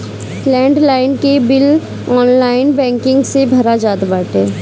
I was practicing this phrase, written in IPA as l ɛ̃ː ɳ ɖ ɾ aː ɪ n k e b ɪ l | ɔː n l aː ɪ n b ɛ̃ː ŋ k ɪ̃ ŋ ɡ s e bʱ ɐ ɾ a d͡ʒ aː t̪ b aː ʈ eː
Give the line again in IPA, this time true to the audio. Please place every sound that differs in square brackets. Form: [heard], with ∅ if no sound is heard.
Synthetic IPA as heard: l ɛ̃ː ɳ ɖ [l] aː ɪ n k e b ɪ l | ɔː n l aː ɪ n b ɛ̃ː ŋ k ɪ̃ ŋ ɡ s e bʱ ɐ ɾ a d͡ʒ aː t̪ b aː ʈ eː